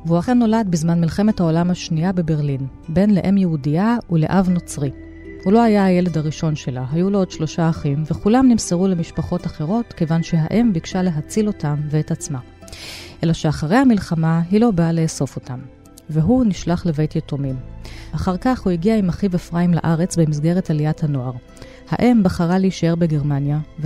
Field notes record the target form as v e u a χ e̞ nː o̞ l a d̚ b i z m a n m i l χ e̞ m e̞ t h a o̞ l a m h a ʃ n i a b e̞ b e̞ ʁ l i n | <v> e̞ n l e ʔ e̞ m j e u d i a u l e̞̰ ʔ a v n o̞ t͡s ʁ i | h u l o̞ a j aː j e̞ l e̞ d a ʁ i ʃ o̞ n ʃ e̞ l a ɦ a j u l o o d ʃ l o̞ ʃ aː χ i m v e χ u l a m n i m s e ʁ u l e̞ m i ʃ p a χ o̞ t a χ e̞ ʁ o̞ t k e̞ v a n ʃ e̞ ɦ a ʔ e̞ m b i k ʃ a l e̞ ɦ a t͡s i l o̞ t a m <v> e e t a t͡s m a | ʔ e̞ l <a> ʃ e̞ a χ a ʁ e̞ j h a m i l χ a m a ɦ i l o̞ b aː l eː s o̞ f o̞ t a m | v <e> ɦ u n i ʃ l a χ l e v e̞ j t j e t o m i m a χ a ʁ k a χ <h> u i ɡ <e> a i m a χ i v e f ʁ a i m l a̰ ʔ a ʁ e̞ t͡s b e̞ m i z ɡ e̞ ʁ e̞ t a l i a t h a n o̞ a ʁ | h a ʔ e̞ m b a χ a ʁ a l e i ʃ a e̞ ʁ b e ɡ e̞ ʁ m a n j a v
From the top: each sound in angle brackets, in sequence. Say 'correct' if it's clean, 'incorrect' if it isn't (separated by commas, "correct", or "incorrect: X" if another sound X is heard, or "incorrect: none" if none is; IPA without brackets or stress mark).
incorrect: b, correct, correct, correct, correct, incorrect: i